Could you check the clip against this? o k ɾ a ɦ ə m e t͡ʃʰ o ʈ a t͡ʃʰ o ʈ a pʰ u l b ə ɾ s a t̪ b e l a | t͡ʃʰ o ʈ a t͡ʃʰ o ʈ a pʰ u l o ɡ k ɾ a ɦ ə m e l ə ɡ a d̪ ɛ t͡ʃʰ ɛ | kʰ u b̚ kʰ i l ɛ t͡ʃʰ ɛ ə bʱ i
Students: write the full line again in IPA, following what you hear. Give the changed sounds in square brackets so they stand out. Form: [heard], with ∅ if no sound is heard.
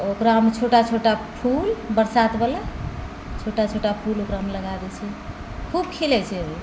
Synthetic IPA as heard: o k ɾ a ɦ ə m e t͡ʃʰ o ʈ a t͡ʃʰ o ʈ a pʰ u l b ə ɾ s a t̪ b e l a | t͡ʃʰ o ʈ a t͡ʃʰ o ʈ a pʰ u l o [∅] k ɾ a ɦ ə m e l ə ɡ a d̪ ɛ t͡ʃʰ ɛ | kʰ u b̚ kʰ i l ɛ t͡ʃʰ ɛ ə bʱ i